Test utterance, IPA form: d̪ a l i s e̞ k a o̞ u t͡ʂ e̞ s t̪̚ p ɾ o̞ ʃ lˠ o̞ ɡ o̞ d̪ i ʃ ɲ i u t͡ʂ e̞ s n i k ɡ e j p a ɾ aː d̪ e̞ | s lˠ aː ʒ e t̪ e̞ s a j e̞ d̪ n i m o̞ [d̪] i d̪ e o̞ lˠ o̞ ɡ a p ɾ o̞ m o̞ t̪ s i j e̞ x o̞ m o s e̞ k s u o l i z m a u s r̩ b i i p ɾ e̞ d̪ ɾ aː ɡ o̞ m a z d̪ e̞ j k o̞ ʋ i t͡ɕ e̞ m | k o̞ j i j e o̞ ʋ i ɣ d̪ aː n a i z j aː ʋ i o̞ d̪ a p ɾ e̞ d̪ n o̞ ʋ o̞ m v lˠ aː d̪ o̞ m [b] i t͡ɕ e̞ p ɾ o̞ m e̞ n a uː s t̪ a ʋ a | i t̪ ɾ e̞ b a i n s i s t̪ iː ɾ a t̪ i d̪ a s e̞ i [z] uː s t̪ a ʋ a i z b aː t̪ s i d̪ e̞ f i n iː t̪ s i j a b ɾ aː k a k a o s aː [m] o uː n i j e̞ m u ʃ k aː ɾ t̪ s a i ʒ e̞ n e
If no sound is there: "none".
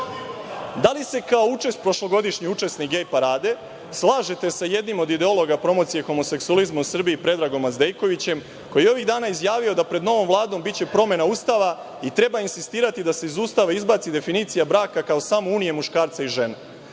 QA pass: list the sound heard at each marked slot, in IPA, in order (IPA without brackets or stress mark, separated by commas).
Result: d̪, b, z, m